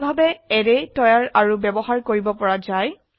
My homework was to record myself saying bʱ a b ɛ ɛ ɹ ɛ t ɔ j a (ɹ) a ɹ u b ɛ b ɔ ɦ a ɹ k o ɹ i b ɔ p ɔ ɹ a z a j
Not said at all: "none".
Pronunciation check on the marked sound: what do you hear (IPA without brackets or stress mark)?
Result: ɹ